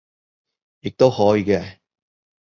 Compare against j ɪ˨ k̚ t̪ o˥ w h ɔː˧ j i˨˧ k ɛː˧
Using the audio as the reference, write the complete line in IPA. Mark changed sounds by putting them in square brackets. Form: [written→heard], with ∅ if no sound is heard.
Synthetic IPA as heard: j ɪ˨ k̚ t̪ o˥ w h [ɔː˧→ɔː˨˥] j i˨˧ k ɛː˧